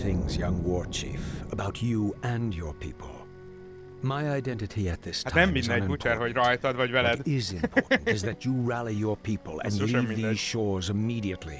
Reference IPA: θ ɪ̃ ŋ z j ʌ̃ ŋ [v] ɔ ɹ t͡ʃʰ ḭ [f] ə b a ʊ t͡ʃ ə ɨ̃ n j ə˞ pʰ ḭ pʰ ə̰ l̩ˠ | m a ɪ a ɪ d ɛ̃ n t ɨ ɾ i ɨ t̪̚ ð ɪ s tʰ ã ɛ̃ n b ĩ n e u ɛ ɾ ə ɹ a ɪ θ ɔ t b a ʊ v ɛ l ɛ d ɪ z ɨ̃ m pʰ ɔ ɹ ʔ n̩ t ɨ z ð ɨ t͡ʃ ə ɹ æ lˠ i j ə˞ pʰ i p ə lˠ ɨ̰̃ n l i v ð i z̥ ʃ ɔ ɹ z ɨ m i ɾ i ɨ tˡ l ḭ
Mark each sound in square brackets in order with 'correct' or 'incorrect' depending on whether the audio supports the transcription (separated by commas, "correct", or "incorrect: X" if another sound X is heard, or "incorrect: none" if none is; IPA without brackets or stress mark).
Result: incorrect: w, correct